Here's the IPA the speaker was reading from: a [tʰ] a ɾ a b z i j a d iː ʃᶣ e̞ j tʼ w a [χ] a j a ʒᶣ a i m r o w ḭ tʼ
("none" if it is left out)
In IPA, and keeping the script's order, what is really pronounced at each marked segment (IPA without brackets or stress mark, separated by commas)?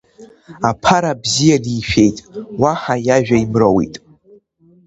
pʰ, ħ